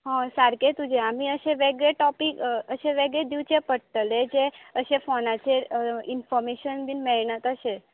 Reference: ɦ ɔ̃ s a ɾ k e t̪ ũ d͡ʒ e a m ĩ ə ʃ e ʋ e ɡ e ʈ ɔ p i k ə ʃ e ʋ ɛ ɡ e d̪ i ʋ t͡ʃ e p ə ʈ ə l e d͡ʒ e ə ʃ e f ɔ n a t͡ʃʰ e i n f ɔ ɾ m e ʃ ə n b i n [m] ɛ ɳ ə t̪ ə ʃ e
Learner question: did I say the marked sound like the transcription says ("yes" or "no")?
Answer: yes